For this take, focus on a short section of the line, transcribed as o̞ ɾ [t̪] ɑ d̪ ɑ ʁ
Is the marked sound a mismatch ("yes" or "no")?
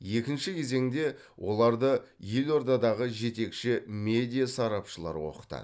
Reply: yes